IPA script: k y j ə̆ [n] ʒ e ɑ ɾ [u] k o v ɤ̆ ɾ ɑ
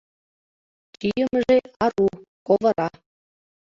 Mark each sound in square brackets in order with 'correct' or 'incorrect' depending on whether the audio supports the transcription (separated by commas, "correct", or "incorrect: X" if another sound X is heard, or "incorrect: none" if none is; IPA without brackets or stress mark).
incorrect: m, correct